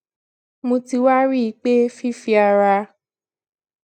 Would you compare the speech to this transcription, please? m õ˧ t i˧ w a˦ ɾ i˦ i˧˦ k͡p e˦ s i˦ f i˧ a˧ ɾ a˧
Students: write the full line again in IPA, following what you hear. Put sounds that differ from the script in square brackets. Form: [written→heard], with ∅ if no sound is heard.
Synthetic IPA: m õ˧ t i˧ w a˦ ɾ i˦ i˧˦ k͡p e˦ [s→f] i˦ f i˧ a˧ ɾ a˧